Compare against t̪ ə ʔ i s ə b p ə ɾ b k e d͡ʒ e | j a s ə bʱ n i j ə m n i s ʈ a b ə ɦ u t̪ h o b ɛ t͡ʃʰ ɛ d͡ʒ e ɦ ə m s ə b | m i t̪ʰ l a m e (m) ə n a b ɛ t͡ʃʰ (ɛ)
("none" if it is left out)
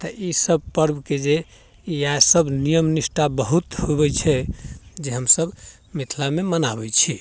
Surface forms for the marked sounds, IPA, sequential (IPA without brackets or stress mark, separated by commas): m, i